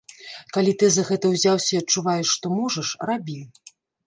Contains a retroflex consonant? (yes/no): yes